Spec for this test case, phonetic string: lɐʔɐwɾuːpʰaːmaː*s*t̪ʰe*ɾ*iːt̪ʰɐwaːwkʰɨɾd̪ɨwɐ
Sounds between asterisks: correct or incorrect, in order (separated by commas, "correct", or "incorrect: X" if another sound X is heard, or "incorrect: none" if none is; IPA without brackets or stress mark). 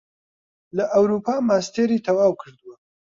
correct, correct